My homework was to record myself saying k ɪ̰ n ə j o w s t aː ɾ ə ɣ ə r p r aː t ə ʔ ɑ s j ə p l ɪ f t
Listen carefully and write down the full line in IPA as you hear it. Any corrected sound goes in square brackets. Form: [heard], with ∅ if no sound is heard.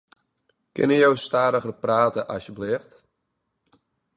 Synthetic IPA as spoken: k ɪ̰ n ə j o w s t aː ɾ ə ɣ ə r p r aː t ə ʔ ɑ s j ə [b] l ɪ f t